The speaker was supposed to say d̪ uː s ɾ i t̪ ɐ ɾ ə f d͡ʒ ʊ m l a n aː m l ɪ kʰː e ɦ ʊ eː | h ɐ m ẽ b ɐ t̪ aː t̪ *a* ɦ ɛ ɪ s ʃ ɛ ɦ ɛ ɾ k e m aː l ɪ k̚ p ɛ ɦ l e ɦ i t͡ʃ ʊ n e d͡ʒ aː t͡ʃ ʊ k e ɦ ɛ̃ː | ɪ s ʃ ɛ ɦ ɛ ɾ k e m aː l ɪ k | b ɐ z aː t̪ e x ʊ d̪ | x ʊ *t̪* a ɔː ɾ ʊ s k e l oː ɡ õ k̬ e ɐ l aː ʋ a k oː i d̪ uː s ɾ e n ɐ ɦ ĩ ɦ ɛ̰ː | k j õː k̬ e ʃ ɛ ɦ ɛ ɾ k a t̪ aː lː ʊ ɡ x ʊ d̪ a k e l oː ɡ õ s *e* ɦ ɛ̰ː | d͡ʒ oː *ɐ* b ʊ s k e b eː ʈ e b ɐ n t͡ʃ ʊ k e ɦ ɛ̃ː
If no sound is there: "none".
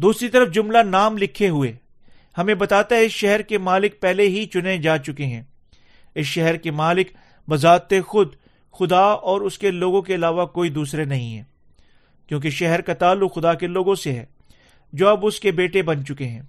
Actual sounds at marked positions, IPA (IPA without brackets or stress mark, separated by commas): a, d̪, e, ɐ